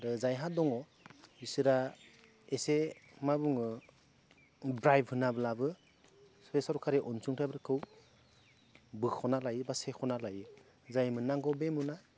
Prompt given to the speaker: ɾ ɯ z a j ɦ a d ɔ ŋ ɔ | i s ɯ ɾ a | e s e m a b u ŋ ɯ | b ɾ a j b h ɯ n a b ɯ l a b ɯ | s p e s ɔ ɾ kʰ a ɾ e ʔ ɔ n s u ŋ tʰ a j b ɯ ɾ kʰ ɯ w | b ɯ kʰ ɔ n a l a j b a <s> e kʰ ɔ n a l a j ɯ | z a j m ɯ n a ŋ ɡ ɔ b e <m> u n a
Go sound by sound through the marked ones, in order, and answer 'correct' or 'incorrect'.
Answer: correct, correct

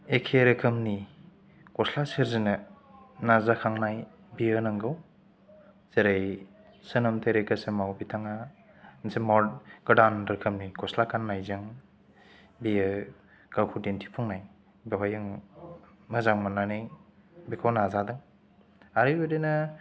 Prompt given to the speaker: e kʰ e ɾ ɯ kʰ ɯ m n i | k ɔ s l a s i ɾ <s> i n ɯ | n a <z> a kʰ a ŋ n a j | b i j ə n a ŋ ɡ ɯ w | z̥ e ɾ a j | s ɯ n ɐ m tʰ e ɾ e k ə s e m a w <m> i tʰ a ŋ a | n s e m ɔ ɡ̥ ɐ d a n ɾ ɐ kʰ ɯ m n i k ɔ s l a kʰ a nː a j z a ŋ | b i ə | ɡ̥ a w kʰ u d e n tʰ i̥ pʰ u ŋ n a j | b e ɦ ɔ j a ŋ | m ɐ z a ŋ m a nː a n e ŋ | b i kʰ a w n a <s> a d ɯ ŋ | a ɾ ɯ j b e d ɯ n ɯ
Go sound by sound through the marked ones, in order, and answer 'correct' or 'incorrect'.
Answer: incorrect: z, correct, incorrect: b, incorrect: z

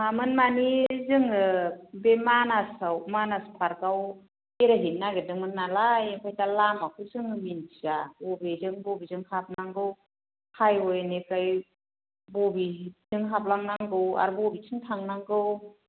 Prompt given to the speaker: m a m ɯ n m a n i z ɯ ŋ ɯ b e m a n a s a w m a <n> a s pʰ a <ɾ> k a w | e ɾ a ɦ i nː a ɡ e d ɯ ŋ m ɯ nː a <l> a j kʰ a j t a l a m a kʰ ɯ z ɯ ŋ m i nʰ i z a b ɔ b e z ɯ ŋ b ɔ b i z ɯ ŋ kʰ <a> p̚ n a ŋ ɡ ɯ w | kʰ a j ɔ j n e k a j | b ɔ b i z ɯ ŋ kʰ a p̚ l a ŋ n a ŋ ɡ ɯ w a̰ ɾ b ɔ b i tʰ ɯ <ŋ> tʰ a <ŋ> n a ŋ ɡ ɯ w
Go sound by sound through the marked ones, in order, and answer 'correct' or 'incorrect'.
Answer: correct, correct, correct, correct, correct, correct

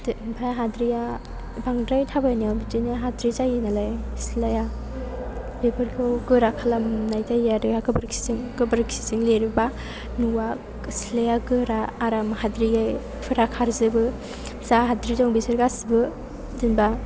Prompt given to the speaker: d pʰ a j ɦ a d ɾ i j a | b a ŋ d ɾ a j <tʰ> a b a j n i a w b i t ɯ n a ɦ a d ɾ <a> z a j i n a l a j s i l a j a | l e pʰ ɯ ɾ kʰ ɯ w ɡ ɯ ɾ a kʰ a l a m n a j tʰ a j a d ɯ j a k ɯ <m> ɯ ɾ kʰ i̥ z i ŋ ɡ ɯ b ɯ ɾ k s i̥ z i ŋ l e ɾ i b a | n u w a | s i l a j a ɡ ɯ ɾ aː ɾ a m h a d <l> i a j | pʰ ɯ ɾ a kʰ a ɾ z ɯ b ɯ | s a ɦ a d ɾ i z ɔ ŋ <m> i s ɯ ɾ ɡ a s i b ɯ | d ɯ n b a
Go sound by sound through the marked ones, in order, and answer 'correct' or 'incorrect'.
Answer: correct, incorrect: i, incorrect: b, incorrect: ɾ, incorrect: b

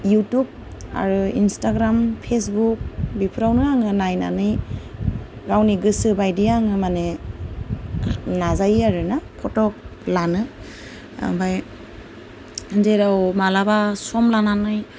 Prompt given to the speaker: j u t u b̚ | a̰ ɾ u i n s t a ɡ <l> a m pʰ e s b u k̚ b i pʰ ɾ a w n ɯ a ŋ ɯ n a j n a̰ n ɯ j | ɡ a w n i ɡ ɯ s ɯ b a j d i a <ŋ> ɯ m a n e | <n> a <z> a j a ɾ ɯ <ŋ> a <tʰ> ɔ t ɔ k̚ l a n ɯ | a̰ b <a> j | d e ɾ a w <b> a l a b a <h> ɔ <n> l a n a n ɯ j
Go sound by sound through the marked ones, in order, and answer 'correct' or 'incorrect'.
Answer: incorrect: ɾ, correct, correct, correct, incorrect: n, incorrect: pʰ, correct, incorrect: m, incorrect: s, incorrect: m

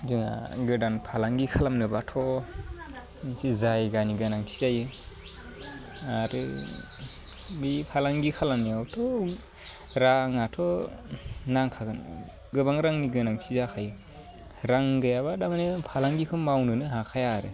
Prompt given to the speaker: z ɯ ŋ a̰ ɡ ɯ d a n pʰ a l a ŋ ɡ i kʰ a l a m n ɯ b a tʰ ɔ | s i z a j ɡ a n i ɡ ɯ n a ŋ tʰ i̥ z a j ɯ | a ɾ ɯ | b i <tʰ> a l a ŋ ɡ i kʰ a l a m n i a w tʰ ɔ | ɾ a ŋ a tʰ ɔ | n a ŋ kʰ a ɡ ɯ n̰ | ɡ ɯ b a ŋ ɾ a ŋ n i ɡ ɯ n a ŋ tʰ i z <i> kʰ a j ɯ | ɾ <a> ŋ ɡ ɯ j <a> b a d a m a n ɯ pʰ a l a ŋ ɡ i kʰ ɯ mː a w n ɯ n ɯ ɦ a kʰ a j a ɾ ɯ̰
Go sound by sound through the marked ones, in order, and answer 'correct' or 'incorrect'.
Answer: incorrect: pʰ, incorrect: a, correct, correct

